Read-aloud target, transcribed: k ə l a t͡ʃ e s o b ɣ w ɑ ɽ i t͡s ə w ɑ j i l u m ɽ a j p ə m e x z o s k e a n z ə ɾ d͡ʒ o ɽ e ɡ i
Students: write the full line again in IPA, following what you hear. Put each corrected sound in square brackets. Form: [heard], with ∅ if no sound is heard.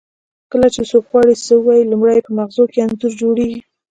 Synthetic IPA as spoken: k ə l a t͡ʃ e s o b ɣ w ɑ ɽ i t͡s ə w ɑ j i l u m ɽ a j p ə m [a] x z o [∅] k e a n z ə ɾ d͡ʒ o ɽ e ɡ i